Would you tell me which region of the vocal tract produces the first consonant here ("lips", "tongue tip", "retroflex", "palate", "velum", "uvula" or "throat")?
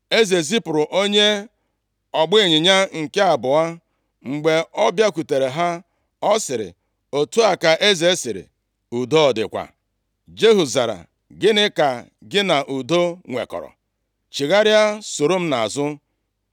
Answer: tongue tip